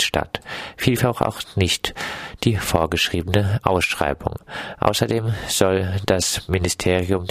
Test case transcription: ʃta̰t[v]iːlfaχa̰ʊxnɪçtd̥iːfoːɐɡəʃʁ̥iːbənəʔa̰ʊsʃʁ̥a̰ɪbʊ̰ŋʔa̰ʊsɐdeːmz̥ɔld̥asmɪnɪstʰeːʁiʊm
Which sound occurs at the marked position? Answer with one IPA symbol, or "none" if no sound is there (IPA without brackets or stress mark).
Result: f